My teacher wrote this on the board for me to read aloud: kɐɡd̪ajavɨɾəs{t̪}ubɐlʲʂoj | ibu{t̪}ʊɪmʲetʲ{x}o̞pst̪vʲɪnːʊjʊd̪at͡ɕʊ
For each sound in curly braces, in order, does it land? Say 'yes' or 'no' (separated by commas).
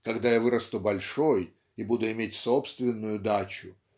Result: yes, no, no